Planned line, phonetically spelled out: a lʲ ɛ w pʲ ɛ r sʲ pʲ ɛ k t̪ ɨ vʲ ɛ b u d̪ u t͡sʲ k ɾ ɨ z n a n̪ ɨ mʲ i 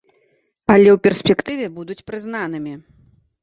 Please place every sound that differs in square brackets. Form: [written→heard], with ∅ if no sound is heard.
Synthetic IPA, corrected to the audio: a lʲ ɛ w pʲ ɛ r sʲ pʲ ɛ k t̪ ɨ vʲ ɛ b u d̪ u t͡sʲ [k→p] ɾ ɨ z n a n̪ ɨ mʲ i